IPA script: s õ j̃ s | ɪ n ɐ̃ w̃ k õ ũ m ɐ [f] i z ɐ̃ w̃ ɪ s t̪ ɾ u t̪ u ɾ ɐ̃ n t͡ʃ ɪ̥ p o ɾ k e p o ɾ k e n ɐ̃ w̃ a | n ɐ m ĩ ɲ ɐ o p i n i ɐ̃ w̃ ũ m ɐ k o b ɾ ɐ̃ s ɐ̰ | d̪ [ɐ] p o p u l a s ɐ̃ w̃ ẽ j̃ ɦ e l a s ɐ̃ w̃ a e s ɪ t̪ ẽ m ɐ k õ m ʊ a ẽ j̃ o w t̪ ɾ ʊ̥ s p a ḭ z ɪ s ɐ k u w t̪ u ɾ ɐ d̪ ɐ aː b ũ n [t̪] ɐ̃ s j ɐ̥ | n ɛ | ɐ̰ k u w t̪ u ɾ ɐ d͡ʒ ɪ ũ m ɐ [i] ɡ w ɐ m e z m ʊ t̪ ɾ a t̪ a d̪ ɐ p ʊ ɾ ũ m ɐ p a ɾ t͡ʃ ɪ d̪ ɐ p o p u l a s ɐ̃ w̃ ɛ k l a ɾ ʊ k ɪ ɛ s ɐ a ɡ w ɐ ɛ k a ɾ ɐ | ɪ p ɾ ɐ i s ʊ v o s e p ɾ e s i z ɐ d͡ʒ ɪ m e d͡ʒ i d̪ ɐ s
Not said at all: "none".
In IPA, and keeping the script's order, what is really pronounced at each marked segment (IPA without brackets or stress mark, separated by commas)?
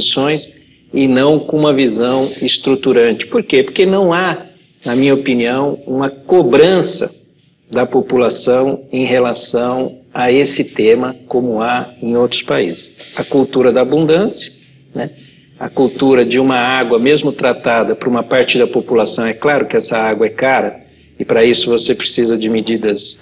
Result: v, ɐ, d̪, a